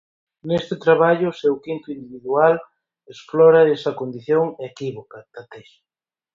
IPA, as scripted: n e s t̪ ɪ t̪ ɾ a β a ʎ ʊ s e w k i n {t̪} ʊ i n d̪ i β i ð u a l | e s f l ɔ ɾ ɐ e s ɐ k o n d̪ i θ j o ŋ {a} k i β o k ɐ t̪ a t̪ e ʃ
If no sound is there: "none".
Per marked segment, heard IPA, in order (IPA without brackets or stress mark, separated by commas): t̪, e